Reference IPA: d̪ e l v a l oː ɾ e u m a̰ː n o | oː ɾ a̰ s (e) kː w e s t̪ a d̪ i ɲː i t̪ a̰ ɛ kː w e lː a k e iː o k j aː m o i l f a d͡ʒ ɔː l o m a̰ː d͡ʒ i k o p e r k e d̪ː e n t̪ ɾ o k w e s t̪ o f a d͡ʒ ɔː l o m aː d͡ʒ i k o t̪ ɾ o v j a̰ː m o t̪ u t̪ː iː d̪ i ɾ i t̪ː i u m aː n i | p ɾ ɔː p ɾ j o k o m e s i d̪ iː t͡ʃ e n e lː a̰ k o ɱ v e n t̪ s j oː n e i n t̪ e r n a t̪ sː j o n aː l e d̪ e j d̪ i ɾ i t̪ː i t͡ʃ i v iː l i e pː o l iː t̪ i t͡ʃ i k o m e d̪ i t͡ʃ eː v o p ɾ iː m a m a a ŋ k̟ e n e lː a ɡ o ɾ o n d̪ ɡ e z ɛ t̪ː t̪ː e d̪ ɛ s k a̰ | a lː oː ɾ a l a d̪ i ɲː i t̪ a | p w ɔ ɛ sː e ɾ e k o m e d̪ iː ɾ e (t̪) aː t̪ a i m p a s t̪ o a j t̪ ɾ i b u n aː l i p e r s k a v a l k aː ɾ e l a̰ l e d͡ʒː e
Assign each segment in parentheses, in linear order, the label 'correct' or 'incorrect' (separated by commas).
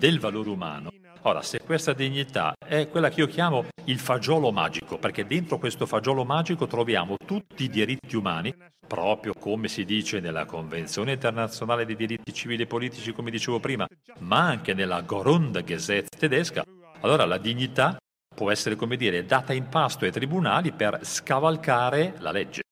correct, incorrect